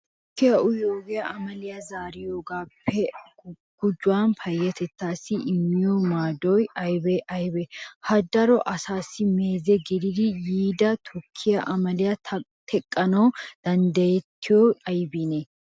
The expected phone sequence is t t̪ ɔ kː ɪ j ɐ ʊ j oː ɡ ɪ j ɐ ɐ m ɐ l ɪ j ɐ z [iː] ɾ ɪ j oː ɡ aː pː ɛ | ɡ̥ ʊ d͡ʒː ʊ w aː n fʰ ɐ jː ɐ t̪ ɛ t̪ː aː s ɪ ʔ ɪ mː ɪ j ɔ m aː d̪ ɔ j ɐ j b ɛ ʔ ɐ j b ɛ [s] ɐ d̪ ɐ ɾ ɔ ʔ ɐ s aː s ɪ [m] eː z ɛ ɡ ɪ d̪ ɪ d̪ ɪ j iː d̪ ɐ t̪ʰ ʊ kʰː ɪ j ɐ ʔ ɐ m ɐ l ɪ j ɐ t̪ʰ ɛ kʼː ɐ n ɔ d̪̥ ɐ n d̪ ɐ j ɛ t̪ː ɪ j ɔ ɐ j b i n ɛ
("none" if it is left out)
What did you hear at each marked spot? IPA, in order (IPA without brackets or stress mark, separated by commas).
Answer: aː, h, m